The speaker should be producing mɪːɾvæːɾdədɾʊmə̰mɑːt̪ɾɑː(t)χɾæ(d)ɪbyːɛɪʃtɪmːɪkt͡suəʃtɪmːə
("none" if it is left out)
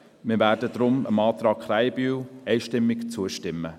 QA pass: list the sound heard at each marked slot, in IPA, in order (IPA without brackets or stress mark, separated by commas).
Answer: k, none